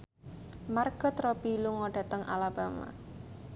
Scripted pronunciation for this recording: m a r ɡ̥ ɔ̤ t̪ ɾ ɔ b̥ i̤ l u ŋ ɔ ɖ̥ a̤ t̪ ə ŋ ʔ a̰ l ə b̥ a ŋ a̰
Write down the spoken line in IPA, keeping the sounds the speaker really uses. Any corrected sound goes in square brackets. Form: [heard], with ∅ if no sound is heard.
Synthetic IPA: m a r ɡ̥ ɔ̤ t̪ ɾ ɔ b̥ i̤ l u ŋ ɔ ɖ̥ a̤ t̪ ə ŋ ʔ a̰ l [a] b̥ a [m] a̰